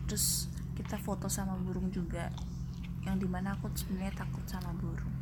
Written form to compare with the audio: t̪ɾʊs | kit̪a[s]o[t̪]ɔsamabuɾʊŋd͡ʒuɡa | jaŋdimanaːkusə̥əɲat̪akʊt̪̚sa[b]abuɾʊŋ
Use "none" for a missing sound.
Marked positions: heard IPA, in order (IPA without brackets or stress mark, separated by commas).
f, t̪, m